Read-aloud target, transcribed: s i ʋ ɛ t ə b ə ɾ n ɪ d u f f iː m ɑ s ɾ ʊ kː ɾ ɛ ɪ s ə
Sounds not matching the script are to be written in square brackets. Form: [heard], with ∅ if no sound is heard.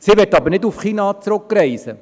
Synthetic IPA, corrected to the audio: s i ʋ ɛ t [ɑ] b ə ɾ n ɪ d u f [χ] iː [n] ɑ [t͡s] ɾ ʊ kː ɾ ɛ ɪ s ə

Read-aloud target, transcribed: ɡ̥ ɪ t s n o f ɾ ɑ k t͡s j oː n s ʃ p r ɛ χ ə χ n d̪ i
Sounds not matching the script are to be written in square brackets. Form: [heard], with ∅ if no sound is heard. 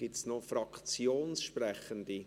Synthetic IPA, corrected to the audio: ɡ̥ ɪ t s n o f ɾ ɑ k t͡s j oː n s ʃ p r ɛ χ ə [∅] n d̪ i

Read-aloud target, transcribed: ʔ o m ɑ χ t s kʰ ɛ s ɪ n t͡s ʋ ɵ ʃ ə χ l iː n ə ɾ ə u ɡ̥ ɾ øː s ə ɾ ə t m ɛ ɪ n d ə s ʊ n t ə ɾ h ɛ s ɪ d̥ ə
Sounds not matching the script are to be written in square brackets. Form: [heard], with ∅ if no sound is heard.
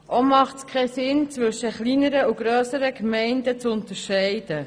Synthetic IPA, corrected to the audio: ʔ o m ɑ χ t s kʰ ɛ s ɪ n t͡s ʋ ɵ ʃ ə χ l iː n ə ɾ ə u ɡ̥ ɾ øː s ə ɾ ə [k] m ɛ ɪ n d ə [t͡s] ʊ n t ə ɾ [ʃ] ɛ [∅] ɪ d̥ ə

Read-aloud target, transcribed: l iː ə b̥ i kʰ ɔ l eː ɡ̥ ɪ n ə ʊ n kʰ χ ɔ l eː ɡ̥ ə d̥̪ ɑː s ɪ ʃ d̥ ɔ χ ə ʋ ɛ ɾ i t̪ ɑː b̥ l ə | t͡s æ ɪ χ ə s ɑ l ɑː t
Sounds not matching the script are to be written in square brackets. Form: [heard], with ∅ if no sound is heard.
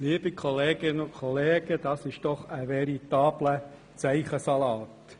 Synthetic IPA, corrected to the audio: l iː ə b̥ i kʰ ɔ l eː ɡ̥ ɪ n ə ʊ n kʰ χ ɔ l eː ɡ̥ ə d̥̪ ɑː s ɪ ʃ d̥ ɔ χ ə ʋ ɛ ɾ i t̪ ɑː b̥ l ə | t͡s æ ɪ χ ə s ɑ l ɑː t

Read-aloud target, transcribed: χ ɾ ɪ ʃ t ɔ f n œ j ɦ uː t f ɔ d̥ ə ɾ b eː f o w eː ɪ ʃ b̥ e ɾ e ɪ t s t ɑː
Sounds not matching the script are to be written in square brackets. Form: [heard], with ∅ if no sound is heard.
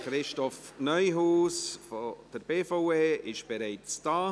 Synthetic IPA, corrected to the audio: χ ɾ ɪ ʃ t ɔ f n œ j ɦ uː [s] f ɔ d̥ ə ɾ b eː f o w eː ɪ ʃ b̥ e ɾ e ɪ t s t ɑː

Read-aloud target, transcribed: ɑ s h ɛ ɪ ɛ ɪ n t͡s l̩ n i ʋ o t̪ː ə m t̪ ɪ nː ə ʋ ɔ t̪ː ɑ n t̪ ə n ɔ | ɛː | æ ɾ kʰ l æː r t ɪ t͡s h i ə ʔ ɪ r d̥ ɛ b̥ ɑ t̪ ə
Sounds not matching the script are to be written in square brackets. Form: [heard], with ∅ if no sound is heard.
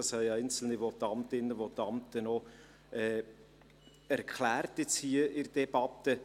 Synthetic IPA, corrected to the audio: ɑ s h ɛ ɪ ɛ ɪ n t͡s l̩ n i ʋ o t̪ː [ɑ] m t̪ ɪ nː ə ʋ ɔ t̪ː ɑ [m] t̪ ə n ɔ | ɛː | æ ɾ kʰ l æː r t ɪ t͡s h i ə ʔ ɪ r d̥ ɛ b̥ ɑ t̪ ə

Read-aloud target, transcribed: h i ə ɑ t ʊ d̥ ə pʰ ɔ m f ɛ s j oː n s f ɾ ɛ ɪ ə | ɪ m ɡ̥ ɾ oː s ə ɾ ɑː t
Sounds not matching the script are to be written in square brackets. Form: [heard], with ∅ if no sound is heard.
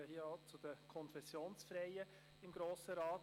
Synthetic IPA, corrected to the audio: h i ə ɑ [t͡s] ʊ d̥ ə [kʰ] ɔ [n] f ɛ s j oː n s f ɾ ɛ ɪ ə | ɪ m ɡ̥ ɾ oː s ə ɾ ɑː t

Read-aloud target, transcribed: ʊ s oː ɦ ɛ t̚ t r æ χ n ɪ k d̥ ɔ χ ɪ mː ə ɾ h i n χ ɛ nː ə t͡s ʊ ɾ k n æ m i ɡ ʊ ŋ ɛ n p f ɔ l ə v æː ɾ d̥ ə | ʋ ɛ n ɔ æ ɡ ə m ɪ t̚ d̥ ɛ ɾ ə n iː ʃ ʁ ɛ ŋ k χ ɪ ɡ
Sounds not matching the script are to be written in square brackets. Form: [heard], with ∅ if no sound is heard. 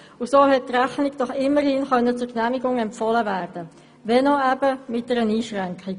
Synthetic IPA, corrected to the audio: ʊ s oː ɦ ɛ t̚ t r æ χ n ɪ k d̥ ɔ χ ɪ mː ə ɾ h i n χ [œ] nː ə t͡s ʊ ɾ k n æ m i ɡ ʊ ŋ ɛ [m] p f ɔ l ə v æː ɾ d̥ ə | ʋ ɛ n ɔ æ [b] ə m ɪ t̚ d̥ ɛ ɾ ə n iː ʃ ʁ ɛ ŋ k χ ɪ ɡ

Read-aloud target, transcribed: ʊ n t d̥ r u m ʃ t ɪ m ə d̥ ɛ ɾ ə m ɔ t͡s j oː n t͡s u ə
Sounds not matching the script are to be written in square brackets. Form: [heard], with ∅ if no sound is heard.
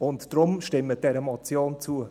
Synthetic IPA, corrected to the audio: ʊ n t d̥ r [ʊ] m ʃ t ɪ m ə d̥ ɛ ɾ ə m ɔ t͡s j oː n t͡s u ə

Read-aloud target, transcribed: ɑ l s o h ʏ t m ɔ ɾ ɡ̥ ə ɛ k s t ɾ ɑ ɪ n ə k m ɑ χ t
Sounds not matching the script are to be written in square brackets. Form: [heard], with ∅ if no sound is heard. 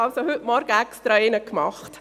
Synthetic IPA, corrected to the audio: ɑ l s o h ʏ t m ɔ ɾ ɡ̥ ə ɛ k s t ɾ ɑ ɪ n ə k m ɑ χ t

